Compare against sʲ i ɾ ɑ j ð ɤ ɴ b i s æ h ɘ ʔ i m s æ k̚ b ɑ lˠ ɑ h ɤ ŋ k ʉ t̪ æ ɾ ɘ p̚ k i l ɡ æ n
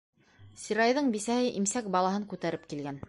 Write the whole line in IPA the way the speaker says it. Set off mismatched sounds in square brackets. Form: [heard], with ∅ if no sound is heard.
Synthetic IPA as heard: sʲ i ɾ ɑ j ð ɤ ɴ b i s æ h ɘ ʔ i m s æ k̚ b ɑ lˠ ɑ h ɤ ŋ k ʉ t̪ æ ɾ ɘ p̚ k i l ɡ æ n